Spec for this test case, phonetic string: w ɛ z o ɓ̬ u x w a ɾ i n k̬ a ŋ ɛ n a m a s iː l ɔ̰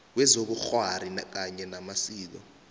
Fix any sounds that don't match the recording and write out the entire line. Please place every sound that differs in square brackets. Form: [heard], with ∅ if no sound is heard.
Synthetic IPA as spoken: w ɛ z o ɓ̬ u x w a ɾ i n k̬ a [ɲ] ɛ n a m a s iː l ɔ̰